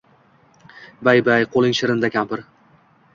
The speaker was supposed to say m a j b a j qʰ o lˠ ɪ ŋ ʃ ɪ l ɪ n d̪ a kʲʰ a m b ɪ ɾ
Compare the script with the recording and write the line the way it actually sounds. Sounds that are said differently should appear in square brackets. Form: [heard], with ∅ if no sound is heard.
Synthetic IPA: [b] a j b a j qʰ o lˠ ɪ ŋ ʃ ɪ [ɾ] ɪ n d̪ a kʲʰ a m [p] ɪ ɾ